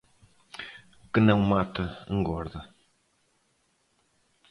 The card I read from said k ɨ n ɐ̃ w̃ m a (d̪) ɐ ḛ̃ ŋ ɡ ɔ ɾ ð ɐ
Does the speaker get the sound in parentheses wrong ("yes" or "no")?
yes